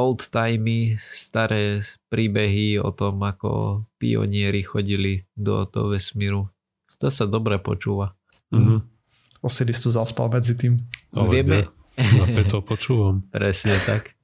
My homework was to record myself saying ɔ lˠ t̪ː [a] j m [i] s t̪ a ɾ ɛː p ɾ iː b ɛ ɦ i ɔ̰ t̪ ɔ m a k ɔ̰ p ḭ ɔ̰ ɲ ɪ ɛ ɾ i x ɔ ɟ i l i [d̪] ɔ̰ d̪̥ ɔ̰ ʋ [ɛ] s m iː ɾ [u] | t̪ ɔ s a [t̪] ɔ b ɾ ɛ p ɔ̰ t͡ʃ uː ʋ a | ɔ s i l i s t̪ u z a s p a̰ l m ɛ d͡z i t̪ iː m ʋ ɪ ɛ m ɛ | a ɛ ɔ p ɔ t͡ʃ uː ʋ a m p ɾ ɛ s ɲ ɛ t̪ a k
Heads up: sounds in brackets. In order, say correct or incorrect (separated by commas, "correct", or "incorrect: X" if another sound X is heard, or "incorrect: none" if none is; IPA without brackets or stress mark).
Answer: correct, correct, correct, correct, correct, incorrect: d̪